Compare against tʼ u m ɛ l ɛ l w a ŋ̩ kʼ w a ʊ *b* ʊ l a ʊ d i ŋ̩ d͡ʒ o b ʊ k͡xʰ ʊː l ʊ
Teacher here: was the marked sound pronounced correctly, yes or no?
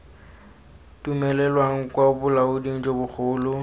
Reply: yes